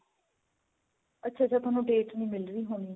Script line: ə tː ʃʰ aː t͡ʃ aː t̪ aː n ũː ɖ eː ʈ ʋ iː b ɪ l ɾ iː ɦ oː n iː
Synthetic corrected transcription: ə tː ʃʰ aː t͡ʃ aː t̪ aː n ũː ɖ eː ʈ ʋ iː m ɪ l ɾ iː ɦ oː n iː